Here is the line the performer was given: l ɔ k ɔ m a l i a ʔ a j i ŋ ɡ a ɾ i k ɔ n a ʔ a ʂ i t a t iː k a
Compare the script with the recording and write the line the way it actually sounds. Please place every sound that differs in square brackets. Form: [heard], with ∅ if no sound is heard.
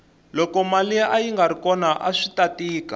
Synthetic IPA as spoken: l ɔ k ɔ m a l i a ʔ a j i ŋ ɡ a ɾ i k ɔ n a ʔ a ʂ i t a t iː k a